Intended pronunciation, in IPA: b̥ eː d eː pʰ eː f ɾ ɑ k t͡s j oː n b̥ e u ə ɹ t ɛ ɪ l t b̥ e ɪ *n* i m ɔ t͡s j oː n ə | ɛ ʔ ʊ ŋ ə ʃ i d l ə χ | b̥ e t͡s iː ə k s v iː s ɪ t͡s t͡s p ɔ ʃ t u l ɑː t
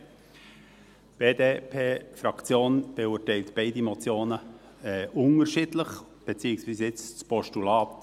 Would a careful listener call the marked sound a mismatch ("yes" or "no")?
yes